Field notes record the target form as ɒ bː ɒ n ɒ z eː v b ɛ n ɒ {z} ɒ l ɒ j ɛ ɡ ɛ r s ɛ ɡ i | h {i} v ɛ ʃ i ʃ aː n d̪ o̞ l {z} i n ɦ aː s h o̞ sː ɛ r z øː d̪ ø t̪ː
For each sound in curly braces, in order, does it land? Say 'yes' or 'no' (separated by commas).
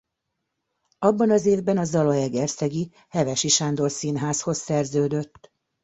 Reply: yes, no, no